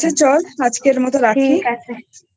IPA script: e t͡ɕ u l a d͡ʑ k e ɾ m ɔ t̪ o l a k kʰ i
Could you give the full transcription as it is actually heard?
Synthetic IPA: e t͡ɕ ɔ l a d͡ʑ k e ɾ m ɔ t̪ o ɾ a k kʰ i